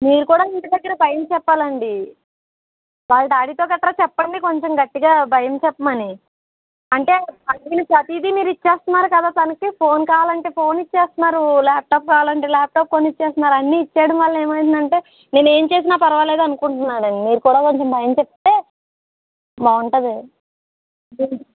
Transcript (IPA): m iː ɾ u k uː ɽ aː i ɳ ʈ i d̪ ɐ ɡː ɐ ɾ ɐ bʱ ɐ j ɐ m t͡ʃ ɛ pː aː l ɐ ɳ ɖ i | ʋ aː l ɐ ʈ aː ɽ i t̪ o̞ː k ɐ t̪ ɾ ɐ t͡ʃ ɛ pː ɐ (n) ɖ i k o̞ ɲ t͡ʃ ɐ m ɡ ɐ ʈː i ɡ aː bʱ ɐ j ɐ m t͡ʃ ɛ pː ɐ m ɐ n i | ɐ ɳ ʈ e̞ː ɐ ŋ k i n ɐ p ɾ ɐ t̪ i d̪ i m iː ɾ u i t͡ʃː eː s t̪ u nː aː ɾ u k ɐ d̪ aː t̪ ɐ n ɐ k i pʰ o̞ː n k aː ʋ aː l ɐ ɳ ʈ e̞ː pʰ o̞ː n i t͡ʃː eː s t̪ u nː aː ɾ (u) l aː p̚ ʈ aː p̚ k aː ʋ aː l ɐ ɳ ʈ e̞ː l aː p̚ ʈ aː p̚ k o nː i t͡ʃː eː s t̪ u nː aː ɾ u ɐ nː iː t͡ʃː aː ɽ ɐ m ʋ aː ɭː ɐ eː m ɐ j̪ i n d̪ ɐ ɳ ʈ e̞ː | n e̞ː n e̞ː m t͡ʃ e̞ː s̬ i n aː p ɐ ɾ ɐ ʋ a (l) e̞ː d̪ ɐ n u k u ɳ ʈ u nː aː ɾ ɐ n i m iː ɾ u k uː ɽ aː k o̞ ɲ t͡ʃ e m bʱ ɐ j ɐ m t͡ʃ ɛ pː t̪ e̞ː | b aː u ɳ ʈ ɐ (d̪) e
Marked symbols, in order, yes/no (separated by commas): no, yes, yes, yes